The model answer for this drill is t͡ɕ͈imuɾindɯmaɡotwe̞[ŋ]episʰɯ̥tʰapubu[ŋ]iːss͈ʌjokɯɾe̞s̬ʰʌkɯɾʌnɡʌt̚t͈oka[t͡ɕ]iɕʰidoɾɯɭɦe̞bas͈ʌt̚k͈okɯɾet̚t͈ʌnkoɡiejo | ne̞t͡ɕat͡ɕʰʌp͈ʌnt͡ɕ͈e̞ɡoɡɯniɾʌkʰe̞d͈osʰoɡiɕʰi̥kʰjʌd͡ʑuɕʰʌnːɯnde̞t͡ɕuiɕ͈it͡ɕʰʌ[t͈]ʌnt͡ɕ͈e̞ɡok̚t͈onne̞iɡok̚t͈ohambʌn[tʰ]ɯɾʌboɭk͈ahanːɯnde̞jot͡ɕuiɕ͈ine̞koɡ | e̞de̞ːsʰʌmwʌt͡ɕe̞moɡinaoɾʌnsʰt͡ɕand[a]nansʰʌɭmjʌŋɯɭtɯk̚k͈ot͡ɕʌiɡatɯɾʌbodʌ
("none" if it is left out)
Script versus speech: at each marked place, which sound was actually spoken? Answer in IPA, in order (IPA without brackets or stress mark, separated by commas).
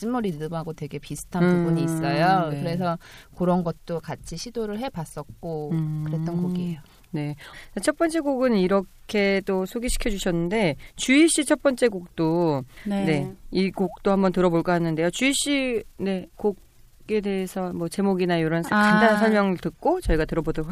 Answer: ɡ, ɲ, t͡ɕʰ, p͈, t, a